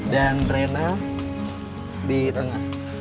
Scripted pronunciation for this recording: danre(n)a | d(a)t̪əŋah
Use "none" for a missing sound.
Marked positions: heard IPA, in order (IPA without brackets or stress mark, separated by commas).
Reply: n, i